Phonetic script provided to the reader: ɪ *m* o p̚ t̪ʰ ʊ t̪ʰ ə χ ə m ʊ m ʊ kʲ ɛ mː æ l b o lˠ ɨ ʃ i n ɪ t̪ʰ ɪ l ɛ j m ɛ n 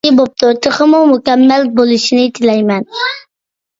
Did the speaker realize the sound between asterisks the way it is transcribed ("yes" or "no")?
no